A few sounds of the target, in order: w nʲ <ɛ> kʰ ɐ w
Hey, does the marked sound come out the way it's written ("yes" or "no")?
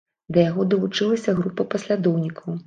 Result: no